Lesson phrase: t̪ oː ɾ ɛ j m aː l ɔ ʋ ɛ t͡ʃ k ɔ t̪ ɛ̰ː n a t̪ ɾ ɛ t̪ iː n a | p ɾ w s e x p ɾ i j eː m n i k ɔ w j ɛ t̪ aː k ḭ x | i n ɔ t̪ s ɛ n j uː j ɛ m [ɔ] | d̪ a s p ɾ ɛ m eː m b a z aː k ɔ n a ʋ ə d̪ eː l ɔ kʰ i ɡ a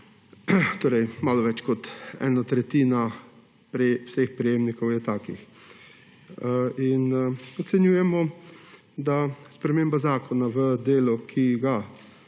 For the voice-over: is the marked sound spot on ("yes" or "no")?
yes